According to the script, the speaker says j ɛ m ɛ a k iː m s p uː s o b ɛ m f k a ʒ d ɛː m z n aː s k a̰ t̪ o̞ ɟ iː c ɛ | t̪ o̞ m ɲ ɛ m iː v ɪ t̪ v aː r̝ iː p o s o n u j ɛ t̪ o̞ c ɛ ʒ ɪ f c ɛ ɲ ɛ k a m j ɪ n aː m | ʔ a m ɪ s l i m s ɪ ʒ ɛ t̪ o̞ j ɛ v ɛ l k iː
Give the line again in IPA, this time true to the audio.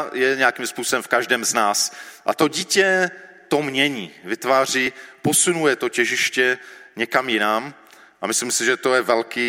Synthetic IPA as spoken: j ɛ ɲ ɛ a k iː m s p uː s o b ɛ m f k a ʒ d ɛː m z n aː s ʔ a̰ t̪ o̞ ɟ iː c ɛ | t̪ o̞ m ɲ ɛ ɲ iː v ɪ t̪ v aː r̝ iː p o s u n u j ɛ t̪ o̞ c ɛ ʒ ɪ ʃ c ɛ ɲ ɛ k a m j ɪ n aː m | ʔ a m ɪ s l i m s ɪ ʒ ɛ t̪ o̞ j ɛ v ɛ l k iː